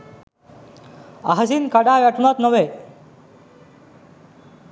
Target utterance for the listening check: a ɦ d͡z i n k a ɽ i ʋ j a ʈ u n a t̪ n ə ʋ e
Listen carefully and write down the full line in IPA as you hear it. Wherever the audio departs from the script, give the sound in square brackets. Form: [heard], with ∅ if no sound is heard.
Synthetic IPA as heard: a ɦ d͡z i n k a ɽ [a] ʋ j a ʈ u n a t̪ n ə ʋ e